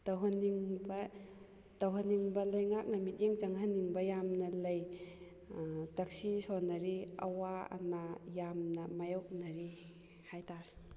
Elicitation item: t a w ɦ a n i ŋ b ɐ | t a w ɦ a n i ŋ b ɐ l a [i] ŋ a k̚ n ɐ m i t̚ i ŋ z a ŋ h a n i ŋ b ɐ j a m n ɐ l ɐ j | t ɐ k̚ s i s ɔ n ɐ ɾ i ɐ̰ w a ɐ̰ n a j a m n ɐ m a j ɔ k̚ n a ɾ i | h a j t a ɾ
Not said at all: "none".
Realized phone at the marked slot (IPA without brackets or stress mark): j